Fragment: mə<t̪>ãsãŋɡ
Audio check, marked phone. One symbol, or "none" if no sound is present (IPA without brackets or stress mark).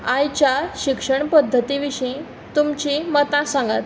t̪